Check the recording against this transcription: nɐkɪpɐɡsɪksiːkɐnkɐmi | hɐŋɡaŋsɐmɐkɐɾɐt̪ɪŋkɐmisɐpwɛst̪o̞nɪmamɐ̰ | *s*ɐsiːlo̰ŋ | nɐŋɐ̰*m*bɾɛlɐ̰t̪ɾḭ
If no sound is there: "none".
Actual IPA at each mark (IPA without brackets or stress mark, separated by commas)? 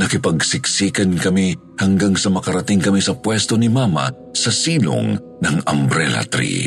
s, m